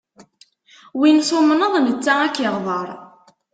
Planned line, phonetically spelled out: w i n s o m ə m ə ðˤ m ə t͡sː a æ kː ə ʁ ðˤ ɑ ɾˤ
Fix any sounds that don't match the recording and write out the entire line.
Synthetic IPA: w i n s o m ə n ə ðˤ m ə t͡sː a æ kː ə ʁ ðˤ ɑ ɾˤ